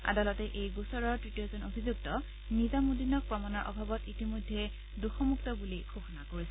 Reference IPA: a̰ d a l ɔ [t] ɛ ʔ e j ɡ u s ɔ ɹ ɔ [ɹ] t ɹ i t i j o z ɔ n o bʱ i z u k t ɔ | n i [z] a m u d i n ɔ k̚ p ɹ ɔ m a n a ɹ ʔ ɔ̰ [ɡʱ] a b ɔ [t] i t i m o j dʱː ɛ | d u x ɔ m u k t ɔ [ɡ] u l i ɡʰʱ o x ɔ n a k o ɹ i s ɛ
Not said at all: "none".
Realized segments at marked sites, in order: t, ɹ, z, bʱ, t, b

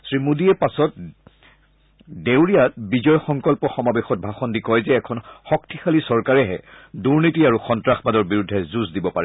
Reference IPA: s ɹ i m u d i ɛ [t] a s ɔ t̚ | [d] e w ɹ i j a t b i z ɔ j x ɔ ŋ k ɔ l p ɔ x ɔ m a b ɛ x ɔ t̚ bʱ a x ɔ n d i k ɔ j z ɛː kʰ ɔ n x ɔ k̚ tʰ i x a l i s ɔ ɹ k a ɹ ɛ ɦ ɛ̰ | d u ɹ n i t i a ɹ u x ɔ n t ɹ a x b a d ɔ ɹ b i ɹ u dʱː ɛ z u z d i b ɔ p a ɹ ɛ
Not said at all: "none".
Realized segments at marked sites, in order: p, d

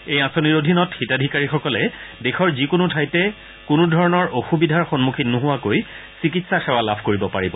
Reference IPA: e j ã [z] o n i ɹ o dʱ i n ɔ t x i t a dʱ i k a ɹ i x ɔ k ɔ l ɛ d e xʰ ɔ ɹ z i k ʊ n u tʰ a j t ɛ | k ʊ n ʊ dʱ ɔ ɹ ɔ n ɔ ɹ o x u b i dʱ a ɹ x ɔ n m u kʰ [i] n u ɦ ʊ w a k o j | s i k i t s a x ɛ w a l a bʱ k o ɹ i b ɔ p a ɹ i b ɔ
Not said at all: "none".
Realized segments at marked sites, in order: s, i

